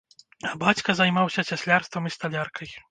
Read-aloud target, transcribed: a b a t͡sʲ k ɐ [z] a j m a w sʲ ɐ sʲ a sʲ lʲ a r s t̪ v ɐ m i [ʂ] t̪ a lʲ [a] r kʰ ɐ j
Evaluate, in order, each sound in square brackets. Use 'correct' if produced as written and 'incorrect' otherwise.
correct, incorrect: s, correct

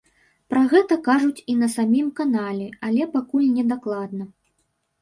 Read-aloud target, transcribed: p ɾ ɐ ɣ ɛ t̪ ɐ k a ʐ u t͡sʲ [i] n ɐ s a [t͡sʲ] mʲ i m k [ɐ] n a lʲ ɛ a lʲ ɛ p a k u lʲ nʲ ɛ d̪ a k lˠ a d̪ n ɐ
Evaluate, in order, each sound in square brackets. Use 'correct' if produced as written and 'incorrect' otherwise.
correct, incorrect: none, incorrect: a

